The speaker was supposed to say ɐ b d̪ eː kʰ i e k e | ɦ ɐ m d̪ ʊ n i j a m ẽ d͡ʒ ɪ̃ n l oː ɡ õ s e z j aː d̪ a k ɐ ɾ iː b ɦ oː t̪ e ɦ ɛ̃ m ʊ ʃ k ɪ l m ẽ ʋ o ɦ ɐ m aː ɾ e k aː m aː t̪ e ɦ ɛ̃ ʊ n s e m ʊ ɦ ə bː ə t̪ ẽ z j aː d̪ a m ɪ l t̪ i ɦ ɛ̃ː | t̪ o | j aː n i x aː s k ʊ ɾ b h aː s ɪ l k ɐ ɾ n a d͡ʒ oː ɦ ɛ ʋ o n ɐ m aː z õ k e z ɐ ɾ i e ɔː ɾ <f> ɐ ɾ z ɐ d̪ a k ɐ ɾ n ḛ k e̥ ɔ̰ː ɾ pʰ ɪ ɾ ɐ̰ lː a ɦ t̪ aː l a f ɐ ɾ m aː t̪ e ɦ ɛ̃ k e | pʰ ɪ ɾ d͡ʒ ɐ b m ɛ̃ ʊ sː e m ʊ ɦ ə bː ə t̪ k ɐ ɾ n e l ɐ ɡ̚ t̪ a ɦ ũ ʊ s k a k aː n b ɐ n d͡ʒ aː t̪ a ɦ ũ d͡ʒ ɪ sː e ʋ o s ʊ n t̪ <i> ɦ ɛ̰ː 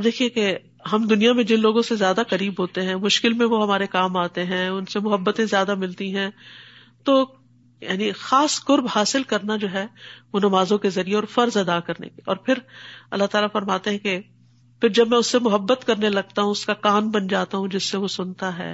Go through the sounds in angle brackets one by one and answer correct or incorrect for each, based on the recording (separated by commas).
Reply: correct, incorrect